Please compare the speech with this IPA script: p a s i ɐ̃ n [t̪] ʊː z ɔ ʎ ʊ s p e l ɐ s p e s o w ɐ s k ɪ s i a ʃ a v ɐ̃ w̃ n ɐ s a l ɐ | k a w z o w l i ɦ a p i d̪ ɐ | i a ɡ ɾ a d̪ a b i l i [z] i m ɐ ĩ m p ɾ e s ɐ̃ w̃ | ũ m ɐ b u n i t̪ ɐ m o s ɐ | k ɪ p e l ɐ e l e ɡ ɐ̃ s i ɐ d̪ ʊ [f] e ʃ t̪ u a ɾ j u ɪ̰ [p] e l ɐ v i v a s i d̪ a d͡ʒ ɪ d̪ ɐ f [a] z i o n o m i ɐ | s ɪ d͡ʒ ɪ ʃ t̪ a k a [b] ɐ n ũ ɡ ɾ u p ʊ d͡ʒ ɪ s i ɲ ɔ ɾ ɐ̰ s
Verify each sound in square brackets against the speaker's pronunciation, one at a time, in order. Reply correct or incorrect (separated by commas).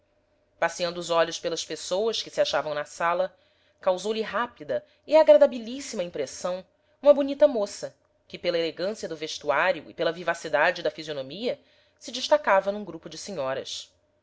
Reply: incorrect, incorrect, incorrect, correct, incorrect, incorrect